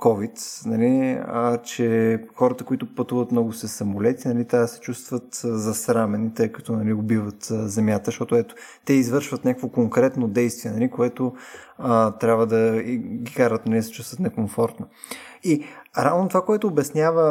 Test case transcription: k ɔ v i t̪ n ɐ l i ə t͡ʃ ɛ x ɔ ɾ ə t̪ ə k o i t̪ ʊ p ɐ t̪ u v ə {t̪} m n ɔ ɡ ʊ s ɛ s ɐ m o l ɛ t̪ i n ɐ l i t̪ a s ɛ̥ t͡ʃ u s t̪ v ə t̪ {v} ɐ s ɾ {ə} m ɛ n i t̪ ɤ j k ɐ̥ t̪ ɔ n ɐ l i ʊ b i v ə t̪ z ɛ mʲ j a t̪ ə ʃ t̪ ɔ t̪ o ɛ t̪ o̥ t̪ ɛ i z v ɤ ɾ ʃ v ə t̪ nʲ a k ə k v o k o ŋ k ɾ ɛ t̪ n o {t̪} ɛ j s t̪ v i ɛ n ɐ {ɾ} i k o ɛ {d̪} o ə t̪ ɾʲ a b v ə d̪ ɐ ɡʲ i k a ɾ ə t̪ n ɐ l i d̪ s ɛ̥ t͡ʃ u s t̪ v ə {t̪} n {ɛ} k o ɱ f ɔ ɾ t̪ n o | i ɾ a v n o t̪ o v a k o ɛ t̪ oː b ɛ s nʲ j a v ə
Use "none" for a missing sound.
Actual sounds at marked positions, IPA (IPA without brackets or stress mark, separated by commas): t̪, z, a, d̪, l, t̪, t̪, ɛ